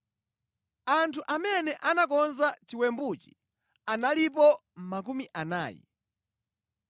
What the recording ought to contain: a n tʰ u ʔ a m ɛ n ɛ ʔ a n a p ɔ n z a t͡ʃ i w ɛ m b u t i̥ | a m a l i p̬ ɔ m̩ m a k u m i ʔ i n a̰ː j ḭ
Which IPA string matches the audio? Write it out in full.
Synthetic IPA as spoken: a n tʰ u ʔ a m ɛ n ɛ ʔ a n a k ɔ n z a t͡ʃ i w ɛ m b u t͡ʃ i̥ | a n a l i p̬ ɔ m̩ m a k u m i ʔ a n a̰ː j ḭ